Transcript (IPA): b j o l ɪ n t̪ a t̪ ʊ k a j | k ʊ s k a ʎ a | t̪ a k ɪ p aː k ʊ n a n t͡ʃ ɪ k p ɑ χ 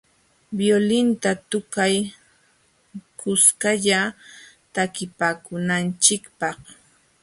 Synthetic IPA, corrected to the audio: b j o l ɪ n t̪ a t̪ ʊ k a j | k ʊ s k a ʎ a | t̪ a k ɪ p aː k ʊ n a n t͡ʃ ɪ k p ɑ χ